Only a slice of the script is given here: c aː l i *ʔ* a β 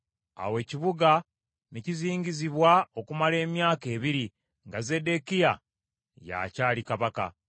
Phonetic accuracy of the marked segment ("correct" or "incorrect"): incorrect